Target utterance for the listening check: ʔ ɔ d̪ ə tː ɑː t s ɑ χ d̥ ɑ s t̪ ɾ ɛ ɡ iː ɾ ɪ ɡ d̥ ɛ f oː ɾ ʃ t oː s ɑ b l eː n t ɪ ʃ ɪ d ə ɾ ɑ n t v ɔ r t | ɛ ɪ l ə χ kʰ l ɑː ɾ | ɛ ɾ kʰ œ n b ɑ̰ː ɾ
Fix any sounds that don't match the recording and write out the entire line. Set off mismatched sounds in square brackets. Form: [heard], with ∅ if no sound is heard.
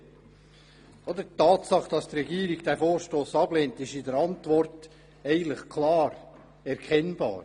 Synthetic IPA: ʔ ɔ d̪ ə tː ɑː t s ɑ χ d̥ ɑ s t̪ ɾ ɛ ɡ iː ɾ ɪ ɡ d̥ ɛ f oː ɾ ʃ t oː s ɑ b l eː n t ɪ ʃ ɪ d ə ɾ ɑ n t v ɔ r t | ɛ ɪ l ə χ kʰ l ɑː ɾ | ɛ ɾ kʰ [ɛ] n b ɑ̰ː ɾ